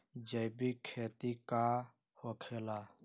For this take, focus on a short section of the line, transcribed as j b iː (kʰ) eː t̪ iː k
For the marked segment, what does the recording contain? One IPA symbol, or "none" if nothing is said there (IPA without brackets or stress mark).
kʰ